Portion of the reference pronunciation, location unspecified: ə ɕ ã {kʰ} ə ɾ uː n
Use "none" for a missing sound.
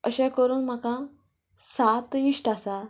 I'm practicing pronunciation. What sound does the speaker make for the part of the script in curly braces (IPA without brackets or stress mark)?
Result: k